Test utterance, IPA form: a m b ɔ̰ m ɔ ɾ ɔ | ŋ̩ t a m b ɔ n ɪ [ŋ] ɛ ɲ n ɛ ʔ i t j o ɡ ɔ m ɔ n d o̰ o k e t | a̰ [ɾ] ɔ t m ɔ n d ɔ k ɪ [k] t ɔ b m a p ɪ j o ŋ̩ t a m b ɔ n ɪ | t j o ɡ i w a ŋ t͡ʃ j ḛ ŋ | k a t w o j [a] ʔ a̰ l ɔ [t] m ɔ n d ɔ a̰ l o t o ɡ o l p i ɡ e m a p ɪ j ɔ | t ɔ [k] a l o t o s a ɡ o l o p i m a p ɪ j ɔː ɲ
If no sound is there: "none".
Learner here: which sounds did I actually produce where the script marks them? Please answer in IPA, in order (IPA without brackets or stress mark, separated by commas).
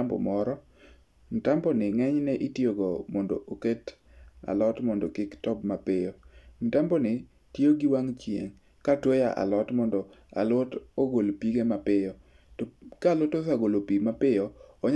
ŋ, l, k, a, t, k